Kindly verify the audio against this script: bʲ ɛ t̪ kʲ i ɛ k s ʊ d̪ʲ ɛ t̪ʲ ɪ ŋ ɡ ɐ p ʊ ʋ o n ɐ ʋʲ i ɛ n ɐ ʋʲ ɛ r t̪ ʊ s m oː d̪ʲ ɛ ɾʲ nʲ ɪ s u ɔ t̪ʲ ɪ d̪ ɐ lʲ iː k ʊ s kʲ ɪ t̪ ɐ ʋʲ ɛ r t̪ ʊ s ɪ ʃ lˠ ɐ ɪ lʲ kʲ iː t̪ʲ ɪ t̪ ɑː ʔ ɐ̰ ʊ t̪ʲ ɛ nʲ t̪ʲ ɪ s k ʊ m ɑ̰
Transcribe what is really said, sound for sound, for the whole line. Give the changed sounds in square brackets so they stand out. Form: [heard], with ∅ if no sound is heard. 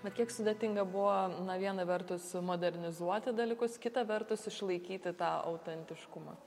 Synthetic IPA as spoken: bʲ ɛ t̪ kʲ i ɛ k s ʊ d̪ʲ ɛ t̪ʲ ɪ ŋ ɡ ɐ [b] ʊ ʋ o n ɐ ʋʲ i ɛ n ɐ ʋʲ ɛ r t̪ ʊ s m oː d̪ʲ ɛ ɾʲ nʲ ɪ [z] u ɔ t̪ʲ ɪ d̪ ɐ lʲ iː k ʊ s kʲ ɪ t̪ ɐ ʋʲ ɛ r t̪ ʊ s ɪ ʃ lˠ ɐ ɪ [∅] kʲ iː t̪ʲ ɪ t̪ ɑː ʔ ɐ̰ ʊ t̪ʲ ɛ nʲ t̪ʲ ɪ [ʃ] k ʊ m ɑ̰